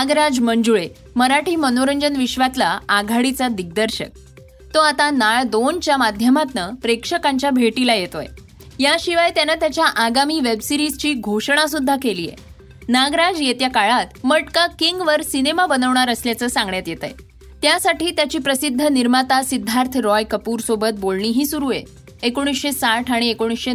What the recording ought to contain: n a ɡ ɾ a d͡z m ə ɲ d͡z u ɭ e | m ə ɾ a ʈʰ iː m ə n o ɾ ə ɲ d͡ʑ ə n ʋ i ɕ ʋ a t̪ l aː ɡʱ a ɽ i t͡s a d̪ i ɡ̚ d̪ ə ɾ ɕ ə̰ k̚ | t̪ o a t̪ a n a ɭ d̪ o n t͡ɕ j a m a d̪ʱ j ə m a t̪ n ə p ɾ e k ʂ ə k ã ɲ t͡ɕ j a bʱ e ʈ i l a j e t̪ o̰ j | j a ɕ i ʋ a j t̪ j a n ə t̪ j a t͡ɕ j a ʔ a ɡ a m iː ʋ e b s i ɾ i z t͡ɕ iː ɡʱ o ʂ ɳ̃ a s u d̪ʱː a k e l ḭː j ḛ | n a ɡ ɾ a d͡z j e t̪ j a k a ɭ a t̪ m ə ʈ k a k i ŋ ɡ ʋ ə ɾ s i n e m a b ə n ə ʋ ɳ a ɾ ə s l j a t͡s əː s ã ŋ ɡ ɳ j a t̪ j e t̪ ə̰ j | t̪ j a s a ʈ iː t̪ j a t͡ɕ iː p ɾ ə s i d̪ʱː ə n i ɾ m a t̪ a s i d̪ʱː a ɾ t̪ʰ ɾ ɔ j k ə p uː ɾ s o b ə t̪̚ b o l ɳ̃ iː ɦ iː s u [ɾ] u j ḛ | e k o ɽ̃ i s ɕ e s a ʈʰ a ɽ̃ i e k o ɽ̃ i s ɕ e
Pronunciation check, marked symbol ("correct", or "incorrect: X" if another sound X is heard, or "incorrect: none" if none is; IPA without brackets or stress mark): correct